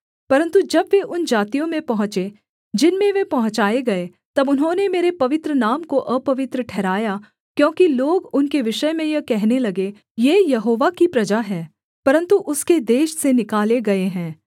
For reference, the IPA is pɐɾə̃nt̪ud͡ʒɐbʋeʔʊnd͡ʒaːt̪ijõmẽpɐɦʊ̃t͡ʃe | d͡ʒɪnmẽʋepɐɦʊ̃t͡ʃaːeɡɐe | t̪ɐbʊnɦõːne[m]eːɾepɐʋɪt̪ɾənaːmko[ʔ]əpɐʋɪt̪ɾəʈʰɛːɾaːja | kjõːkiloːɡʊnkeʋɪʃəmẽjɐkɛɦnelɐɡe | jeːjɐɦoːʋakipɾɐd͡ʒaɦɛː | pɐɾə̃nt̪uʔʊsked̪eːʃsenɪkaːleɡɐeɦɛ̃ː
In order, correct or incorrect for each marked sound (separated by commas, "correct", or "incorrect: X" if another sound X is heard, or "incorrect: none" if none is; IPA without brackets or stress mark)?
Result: correct, correct